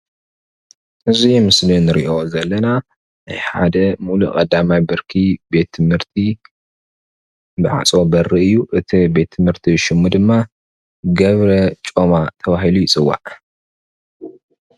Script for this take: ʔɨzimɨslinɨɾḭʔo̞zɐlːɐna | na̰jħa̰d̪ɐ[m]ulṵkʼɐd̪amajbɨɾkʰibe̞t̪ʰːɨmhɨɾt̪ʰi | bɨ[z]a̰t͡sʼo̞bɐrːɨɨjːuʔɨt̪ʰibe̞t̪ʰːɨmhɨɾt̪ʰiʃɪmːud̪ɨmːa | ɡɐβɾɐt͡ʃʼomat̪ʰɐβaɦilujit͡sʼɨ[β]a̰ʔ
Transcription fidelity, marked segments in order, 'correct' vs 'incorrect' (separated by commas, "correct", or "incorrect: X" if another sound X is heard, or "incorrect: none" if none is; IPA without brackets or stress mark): correct, incorrect: ʕ, incorrect: w